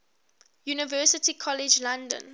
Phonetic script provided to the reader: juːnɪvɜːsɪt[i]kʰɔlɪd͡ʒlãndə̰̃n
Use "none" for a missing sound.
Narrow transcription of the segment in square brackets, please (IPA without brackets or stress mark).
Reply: i